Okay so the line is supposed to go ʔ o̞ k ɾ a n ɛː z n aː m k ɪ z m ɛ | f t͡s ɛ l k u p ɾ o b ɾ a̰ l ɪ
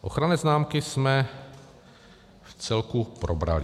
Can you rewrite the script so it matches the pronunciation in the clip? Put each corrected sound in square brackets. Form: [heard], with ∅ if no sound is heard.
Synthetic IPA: ʔ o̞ [x] ɾ a n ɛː z n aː m k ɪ [s] m ɛ | f t͡s ɛ l k u p ɾ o b ɾ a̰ l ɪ

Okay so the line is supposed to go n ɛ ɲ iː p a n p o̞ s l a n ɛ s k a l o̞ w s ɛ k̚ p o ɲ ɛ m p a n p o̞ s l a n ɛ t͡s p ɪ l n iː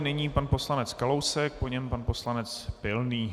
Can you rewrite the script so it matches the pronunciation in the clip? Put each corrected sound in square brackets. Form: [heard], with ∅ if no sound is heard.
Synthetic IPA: n ɛ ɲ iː p a n p o̞ s l a n ɛ [t͡s] k a l o̞ w s ɛ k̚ p o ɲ ɛ m p a n p o̞ s l a n ɛ t͡s p ɪ l n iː

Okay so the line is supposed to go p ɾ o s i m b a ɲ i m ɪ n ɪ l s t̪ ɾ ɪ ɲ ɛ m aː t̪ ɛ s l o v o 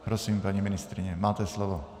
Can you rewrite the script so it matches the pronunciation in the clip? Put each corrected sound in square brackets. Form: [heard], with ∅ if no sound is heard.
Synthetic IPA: p ɾ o s i m [p] a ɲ i m ɪ n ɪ [∅] s t̪ ɾ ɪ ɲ ɛ m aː t̪ ɛ s l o v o

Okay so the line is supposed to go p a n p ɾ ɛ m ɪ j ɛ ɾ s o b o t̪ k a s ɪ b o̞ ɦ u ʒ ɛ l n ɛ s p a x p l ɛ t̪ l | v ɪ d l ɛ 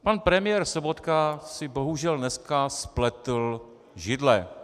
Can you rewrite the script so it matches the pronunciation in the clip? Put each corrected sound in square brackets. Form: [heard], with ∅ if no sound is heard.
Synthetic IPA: p a n p ɾ ɛ m ɪ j ɛ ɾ s o b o t̪ k a s ɪ b o̞ ɦ u ʒ ɛ l n ɛ s [k] a [s] p l ɛ t̪ l | [ʒ] ɪ d l ɛ

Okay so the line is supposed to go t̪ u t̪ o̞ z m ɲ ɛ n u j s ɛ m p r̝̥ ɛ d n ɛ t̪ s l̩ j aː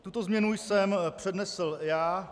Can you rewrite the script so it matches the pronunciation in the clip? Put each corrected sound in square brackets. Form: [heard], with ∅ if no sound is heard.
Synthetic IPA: t̪ u t̪ o̞ z m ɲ ɛ n u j s ɛ m p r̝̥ ɛ d n ɛ [∅] s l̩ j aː

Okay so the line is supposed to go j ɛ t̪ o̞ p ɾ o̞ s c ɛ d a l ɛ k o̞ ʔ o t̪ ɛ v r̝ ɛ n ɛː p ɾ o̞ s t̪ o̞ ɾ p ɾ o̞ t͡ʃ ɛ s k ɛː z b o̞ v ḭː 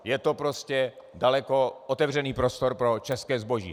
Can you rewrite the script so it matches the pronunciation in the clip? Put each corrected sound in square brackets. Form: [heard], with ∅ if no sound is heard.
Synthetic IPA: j ɛ t̪ o̞ p ɾ o̞ s c ɛ d a l ɛ k o̞ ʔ o t̪ ɛ v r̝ ɛ n [iː] p ɾ o̞ s t̪ o̞ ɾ p ɾ o̞ t͡ʃ ɛ s k ɛː z b o̞ [ʒ] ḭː

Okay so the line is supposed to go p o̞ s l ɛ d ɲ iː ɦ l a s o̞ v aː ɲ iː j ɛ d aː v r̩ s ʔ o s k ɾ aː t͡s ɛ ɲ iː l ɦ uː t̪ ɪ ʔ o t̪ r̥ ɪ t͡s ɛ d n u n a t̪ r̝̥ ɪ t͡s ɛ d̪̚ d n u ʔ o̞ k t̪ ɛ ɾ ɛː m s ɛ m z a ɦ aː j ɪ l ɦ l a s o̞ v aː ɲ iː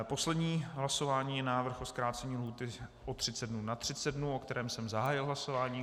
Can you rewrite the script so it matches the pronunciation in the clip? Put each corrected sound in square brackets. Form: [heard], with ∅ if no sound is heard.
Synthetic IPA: p o̞ s l ɛ d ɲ iː ɦ l a s o̞ v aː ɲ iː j ɛ [n] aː v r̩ [x] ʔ o s k ɾ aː t͡s ɛ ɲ iː l ɦ uː t̪ ɪ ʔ o t̪ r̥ ɪ t͡s ɛ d n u n a t̪ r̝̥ ɪ t͡s ɛ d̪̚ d n u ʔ o̞ k t̪ ɛ ɾ ɛː m s ɛ m z a ɦ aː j ɪ l ɦ l a s o̞ v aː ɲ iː

